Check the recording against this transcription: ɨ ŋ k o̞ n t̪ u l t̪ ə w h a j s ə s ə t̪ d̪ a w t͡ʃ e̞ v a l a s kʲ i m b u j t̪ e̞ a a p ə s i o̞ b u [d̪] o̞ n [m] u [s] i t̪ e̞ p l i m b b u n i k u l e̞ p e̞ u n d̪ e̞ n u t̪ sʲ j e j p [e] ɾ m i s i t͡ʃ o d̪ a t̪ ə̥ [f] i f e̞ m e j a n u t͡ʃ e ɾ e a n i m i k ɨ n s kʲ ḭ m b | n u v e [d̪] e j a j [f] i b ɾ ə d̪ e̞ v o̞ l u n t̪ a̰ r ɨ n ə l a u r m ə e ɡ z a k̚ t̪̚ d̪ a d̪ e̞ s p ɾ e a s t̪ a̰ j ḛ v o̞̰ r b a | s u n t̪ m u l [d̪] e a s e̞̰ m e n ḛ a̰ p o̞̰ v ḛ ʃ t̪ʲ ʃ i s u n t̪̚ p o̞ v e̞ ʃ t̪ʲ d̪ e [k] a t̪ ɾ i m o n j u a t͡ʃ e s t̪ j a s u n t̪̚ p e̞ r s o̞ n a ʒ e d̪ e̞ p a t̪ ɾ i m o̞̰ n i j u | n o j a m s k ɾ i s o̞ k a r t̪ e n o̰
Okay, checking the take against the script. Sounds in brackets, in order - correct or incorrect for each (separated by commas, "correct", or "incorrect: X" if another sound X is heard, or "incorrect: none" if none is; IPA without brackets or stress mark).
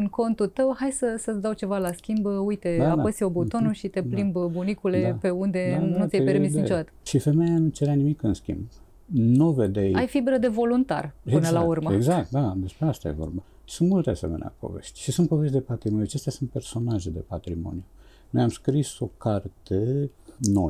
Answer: incorrect: t̪, incorrect: n, incorrect: ʃ, correct, incorrect: ʃ, correct, correct, incorrect: t̪, incorrect: p